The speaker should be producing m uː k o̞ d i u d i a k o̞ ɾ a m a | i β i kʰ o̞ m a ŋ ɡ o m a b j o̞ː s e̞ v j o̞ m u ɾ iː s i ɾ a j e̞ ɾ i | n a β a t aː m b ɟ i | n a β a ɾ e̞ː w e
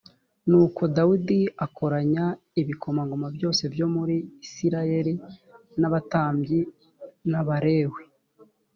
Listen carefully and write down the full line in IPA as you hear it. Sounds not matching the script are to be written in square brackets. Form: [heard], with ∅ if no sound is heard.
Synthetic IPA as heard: [n] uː k o̞ d [a] u d i a k o̞ ɾ a [ɲ] a | i β i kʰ o̞ m a ŋ ɡ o m a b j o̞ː s e̞ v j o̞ m u ɾ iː s i ɾ a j e̞ ɾ i | n a β a t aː m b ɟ i | n a β a ɾ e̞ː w e